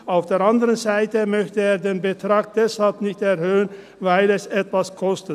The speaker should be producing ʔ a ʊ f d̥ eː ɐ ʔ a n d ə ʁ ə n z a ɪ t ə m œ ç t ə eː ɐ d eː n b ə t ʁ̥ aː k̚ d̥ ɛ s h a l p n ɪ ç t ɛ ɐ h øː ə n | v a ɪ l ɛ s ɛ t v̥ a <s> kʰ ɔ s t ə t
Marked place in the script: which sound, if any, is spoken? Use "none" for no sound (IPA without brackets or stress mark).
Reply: s